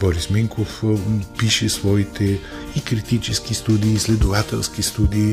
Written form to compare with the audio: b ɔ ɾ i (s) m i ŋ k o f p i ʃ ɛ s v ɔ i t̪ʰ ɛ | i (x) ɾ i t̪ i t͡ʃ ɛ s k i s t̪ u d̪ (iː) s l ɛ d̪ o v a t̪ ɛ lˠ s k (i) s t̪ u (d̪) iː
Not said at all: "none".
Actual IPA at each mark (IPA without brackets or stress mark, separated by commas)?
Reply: s, k, iː, i, d̪